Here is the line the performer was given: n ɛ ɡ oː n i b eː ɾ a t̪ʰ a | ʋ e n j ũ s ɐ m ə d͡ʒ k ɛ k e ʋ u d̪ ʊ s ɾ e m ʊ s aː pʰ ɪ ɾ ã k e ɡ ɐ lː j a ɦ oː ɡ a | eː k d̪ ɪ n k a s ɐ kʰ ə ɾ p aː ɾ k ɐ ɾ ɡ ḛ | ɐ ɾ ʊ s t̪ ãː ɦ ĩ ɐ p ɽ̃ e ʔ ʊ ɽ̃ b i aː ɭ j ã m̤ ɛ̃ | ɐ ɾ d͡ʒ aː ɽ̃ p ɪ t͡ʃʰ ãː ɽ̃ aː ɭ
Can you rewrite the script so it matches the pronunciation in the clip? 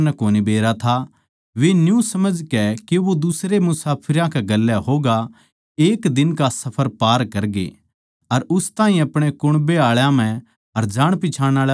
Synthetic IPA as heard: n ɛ k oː n i b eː ɾ a t̪ʰ a | ʋ e n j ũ s ɐ m ə d͡ʒ k ɛ k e ʋ o d̪ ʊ s ɾ e m ʊ s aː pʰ ɪ ɾ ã k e ɡ ɐ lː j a ɦ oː ɡ a | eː k d̪ ɪ n k a s ɐ pʰ ə ɾ p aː ɾ k ɐ ɾ ɡ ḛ | ɐ ɾ ʊ s t̪ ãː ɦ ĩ ɐ p ɽ̃ e k ʊ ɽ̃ b e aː ɭ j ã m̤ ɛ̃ | ɐ ɾ d͡ʒ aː ɽ̃ p ɪ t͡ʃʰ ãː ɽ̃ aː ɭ